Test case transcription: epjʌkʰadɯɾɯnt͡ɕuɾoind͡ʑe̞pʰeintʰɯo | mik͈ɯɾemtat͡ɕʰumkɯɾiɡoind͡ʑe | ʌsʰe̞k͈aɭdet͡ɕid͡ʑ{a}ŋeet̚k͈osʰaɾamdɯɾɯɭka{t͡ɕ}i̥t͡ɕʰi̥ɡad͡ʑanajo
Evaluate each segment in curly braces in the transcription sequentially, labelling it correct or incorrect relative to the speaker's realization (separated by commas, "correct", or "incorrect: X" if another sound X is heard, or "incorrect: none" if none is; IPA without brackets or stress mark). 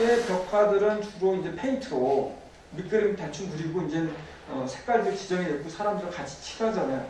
incorrect: ʌ, incorrect: t͡ɕʰ